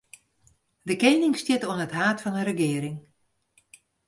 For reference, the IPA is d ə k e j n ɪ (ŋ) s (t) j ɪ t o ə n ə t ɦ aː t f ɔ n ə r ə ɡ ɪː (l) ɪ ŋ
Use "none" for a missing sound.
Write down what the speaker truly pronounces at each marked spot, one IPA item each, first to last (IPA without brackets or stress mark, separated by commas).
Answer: ŋ, t, ɾ